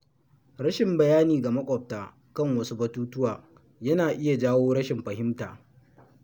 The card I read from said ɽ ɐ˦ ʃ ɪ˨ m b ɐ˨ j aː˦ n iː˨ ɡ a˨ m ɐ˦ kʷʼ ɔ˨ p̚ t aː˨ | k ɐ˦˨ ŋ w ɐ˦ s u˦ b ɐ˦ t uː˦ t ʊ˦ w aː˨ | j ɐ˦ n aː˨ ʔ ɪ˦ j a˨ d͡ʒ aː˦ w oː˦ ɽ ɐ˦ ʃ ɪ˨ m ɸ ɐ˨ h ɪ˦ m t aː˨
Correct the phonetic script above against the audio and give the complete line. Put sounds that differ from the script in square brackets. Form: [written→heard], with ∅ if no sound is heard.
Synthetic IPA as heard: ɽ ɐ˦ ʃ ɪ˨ m b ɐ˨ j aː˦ n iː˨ ɡ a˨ m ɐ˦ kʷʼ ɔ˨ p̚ t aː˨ | k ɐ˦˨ ŋ w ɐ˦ s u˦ b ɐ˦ t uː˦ t ʊ˦ w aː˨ | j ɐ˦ n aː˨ ʔ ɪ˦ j a˨ d͡ʒ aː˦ w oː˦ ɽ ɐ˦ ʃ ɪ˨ m ɸ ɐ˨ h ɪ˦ m t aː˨